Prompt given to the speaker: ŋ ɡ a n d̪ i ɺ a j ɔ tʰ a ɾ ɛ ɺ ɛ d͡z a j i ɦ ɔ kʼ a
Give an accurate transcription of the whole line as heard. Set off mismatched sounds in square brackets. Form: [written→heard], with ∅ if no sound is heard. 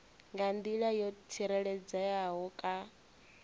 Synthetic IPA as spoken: ŋ ɡ a n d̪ i ɺ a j ɔ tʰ [a→i] ɾ ɛ ɺ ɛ d͡z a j [i→a] ɦ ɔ kʼ a